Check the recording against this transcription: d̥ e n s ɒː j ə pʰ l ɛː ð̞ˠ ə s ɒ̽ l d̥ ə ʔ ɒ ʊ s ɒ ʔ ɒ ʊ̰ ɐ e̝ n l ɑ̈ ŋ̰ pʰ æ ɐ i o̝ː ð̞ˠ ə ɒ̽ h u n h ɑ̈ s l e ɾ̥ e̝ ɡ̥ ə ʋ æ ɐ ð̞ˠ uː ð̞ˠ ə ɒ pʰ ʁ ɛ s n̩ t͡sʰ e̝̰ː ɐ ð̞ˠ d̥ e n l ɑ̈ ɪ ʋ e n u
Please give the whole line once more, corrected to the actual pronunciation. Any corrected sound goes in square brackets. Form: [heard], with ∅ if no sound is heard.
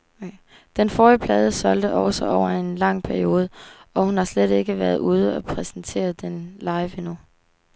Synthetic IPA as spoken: d̥ e n [f] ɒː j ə pʰ l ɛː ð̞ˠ ə s ɒ̽ l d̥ ə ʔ ɒ ʊ s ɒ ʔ ɒ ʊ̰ ɐ e̝ n l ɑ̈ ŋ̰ pʰ æ ɐ i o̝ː ð̞ˠ ə ɒ̽ h u n h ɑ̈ s l e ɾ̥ e̝ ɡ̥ ə ʋ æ ɐ ð̞ˠ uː ð̞ˠ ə ɒ pʰ ʁ ɛ s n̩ t͡sʰ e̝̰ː ɐ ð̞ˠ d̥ e n l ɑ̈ ɪ ʋ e n u